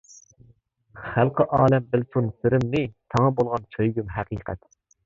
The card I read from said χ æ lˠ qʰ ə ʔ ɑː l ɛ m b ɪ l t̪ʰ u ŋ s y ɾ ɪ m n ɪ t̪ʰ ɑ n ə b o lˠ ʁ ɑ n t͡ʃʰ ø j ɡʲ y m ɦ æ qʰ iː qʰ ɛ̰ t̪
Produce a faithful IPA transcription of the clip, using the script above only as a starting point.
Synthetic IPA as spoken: χ æ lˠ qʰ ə ʔ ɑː l ɛ m b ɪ l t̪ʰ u n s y ɾ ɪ m n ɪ t̪ʰ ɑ ŋ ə b o lˠ ʁ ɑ n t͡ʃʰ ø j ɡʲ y m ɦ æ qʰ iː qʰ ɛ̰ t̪